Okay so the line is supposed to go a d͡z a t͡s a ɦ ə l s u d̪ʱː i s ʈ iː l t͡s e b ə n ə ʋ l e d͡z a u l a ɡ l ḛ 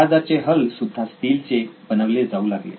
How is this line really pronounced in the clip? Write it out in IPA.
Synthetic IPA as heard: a d͡z a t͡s e ɦ ə l s u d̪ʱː a s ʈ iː l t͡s e b ə n ə ʋ l e d͡z a u l a ɡ l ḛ